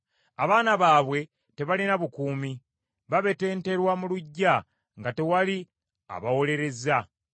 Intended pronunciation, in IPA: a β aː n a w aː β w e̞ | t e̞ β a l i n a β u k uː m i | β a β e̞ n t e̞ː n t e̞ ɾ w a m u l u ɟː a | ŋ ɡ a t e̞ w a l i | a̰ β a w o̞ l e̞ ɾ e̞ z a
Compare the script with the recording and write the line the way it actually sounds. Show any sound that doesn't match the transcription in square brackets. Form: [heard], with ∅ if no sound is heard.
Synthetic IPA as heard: a β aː n a [β] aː β w e̞ | t e̞ β a l i n a β u k uː m i | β a β e̞ [∅] t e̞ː n t e̞ ɾ w a m u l u ɟː a | ŋ ɡ a t e̞ w a l i | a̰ β a w o̞ l e̞ ɾ e̞ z a